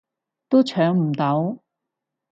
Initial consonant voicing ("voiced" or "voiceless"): voiceless